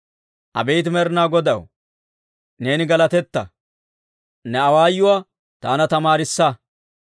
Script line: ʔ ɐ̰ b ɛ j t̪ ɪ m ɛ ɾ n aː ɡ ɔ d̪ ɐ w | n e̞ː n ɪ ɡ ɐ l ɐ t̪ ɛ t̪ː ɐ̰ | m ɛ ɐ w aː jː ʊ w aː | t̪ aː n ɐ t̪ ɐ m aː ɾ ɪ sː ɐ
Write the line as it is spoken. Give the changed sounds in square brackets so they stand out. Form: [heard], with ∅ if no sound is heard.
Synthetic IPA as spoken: ʔ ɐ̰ b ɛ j t̪ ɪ m ɛ ɾ n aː ɡ ɔ d̪ ɐ w | n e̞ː n ɪ ɡ ɐ l ɐ t̪ ɛ t̪ː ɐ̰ | [n] ɛ ɐ w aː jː ʊ w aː | t̪ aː n ɐ t̪ ɐ m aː ɾ ɪ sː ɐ